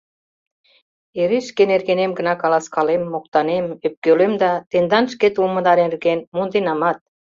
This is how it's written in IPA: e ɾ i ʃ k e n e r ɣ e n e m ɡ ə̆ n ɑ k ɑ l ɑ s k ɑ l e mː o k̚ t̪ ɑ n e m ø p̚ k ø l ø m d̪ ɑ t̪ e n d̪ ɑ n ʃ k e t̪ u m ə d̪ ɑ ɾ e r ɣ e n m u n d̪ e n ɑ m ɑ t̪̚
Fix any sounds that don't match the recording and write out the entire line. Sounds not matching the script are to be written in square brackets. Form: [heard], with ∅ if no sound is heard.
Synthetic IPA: e ɾ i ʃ k e n e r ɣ e n e m ɡ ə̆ n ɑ k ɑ l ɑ s k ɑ l e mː o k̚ t̪ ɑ n e m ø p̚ k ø l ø m d̪ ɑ t̪ e n d̪ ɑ n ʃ k e t̪ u m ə d̪ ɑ ɾ e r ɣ e n m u n d̪ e n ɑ m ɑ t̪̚